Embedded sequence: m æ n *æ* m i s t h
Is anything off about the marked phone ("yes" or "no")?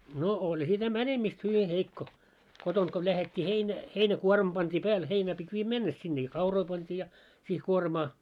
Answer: yes